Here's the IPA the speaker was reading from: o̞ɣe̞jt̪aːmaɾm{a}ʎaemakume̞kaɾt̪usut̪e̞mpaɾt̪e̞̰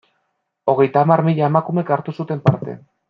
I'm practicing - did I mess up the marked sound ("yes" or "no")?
yes